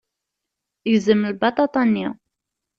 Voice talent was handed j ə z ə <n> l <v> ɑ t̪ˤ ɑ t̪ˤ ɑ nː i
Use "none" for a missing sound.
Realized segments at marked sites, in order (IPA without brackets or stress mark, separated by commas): m, b